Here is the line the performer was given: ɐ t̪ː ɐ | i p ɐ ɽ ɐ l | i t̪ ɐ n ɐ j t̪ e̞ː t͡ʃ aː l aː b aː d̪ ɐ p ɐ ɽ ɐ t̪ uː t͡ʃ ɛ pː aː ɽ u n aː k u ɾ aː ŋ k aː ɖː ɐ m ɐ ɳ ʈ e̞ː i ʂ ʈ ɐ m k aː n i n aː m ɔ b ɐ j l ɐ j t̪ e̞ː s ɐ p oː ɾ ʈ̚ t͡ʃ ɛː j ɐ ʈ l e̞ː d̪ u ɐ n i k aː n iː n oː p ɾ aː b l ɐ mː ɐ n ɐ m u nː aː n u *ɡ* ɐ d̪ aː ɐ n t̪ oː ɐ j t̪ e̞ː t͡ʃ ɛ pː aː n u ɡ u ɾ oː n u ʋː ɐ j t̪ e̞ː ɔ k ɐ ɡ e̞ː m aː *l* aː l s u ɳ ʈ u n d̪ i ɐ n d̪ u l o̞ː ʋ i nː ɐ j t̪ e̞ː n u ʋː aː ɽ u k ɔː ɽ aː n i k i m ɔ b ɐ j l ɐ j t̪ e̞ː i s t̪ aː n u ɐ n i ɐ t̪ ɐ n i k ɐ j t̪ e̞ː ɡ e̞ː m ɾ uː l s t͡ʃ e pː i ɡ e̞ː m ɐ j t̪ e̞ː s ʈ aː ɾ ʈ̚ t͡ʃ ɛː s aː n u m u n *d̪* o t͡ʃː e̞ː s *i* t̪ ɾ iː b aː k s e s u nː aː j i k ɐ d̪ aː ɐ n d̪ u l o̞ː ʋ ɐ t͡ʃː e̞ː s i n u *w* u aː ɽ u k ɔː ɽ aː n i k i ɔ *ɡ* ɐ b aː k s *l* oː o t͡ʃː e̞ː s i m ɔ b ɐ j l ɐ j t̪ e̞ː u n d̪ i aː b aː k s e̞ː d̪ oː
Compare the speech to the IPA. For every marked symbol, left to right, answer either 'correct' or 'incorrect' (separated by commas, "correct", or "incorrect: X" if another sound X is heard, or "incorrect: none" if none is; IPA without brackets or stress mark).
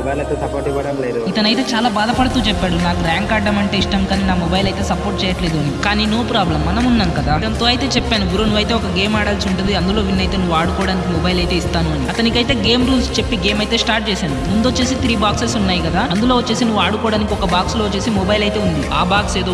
incorrect: k, incorrect: ɽ, correct, correct, incorrect: ʋ, incorrect: k, correct